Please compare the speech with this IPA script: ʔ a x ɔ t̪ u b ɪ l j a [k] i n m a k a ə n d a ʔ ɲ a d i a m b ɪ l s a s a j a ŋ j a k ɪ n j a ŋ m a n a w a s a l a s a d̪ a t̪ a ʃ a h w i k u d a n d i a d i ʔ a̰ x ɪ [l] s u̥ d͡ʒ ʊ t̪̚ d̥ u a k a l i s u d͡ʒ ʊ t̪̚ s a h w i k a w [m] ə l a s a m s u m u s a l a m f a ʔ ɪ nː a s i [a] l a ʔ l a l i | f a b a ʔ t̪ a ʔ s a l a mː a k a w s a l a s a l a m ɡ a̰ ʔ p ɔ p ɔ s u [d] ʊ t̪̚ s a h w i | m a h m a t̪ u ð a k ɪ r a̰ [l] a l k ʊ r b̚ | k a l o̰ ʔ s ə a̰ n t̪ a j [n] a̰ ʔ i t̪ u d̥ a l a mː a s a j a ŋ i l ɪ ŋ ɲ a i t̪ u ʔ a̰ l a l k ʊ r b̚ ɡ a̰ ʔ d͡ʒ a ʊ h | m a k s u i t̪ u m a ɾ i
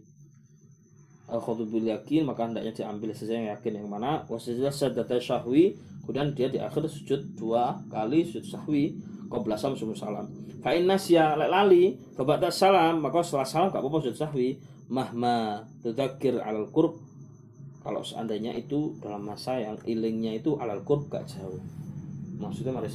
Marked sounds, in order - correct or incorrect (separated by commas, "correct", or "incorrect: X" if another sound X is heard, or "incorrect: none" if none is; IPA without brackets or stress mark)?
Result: correct, incorrect: r, incorrect: b, correct, incorrect: d͡ʒ, correct, incorrect: ɲ